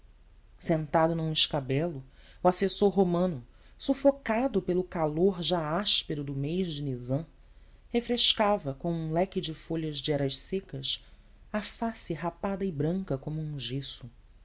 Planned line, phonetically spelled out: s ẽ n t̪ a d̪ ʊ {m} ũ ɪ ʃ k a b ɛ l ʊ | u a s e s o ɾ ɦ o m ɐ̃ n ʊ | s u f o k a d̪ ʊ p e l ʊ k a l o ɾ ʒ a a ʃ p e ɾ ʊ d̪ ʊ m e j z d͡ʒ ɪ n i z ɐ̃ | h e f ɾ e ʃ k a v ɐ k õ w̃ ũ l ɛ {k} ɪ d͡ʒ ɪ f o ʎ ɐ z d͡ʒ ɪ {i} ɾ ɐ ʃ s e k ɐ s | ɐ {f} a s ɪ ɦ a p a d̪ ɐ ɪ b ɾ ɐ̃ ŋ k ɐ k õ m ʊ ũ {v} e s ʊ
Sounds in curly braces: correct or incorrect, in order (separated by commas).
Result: incorrect, correct, incorrect, correct, incorrect